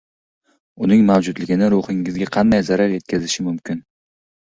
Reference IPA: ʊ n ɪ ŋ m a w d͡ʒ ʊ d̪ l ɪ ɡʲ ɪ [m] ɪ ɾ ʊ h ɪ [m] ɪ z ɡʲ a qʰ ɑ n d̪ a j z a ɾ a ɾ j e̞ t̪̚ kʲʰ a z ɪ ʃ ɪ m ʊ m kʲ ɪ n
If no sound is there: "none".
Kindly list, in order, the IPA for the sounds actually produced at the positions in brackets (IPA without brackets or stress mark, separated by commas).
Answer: n, ŋ